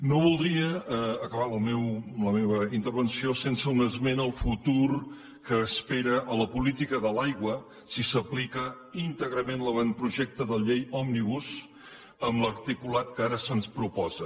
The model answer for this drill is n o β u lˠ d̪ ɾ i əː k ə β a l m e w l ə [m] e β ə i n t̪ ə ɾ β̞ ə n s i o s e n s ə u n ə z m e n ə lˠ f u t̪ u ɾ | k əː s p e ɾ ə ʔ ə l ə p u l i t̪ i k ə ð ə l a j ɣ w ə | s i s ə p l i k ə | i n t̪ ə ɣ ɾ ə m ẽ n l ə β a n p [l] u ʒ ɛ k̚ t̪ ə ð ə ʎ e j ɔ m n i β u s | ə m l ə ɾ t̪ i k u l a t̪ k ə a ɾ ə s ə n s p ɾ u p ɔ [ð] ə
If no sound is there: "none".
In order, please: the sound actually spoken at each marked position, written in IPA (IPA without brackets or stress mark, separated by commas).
m, ɾ, z